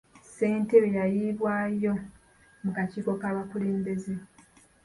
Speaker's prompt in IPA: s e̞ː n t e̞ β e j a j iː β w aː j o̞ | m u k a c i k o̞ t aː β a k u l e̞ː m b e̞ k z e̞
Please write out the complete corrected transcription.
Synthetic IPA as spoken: s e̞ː n t e̞ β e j a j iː β w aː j o̞ | m u k a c iː k o̞ k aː β a k u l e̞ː m b e̞ z e̞